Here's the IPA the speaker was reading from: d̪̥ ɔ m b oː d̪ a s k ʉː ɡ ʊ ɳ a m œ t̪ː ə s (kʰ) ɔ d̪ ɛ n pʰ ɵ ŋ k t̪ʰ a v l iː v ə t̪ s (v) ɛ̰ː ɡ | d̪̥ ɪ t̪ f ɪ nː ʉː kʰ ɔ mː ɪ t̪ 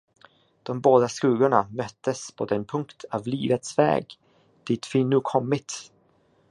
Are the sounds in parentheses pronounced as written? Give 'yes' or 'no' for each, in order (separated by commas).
no, yes